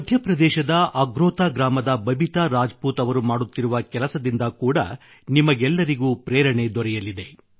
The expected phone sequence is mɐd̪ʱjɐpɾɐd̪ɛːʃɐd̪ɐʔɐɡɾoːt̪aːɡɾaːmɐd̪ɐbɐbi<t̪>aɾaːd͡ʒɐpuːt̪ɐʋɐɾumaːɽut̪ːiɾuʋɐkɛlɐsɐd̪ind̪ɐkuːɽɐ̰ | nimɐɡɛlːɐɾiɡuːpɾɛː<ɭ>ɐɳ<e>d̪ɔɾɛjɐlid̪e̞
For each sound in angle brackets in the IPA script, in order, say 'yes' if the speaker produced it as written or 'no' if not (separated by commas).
yes, no, yes